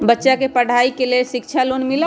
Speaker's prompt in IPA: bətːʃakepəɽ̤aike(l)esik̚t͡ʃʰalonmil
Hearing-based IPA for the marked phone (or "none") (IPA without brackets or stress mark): l